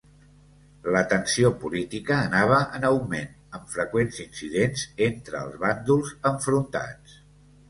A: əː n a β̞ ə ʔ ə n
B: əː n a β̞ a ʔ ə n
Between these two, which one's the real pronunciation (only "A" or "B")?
A